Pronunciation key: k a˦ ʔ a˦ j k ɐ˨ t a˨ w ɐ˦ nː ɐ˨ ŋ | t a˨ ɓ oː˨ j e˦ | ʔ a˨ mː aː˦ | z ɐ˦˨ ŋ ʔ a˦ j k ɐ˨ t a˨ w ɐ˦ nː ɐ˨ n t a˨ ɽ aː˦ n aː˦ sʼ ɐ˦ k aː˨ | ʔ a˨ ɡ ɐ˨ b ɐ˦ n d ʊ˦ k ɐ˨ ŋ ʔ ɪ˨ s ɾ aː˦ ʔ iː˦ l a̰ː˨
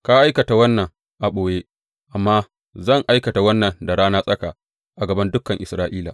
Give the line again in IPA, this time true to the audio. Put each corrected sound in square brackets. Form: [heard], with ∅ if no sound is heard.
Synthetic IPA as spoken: k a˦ ʔ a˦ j k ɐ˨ t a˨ w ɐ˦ nː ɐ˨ ŋ | [ʔ] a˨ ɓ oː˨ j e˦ | ʔ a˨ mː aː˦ | z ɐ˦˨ ŋ ʔ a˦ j k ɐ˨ t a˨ w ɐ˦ nː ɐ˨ n [d] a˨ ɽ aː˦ n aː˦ sʼ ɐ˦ k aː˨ | ʔ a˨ ɡ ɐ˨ b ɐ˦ n d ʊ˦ k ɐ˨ ŋ ʔ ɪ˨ s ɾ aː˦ ʔ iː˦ l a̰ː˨